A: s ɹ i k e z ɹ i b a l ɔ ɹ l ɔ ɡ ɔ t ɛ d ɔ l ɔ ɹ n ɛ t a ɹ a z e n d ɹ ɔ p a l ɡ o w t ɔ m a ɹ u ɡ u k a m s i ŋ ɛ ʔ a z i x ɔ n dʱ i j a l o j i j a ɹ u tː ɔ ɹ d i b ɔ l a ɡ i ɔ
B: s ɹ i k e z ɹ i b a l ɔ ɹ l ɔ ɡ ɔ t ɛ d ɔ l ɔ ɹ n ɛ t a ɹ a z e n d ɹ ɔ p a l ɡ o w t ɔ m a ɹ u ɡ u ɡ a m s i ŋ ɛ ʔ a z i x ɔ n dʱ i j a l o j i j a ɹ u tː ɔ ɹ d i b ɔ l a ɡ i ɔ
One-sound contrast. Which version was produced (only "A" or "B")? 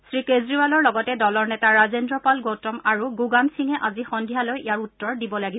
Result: B